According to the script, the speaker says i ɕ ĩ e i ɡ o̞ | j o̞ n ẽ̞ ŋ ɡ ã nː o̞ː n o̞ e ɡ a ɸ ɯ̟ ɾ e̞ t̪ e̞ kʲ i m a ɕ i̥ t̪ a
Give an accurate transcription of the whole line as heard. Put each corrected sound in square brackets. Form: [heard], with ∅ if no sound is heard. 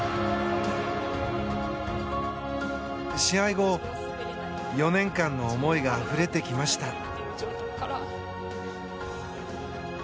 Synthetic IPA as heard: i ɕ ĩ [a] i ɡ o̞ | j o̞ n ẽ̞ ŋ [k] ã nː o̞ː [m] o̞ [i] ɡ a ɸ ɯ̟ ɾ e̞ t̪ e̞ kʲ i m a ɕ i̥ t̪ a